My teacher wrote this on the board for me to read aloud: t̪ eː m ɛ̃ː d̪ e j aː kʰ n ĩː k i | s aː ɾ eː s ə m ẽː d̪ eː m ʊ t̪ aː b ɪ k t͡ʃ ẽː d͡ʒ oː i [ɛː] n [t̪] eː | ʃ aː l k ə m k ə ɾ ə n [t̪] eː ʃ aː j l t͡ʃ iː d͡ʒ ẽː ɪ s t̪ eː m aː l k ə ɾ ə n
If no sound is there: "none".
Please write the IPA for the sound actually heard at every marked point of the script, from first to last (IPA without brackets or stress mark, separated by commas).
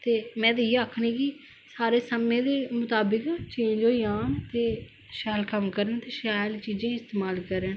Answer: aː, t̪, t̪